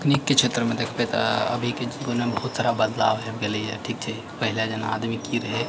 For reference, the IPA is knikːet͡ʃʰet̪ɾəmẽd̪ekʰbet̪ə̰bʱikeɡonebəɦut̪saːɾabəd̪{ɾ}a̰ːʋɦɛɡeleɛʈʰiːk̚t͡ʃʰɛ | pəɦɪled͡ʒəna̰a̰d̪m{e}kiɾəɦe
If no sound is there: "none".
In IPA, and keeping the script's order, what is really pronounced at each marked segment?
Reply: l, i

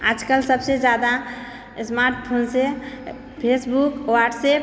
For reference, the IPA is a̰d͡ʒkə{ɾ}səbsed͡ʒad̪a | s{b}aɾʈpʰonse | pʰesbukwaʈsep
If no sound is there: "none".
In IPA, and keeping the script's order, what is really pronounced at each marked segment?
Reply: l, m

